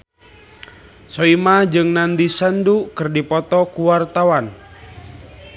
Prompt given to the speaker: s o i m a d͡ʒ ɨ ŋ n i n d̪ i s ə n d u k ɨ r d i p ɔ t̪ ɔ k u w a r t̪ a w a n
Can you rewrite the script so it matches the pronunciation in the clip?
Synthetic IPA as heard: s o i m a d͡ʒ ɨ ŋ n a n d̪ i s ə n d u k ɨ r d i p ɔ t̪ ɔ k u w a r t̪ a w a n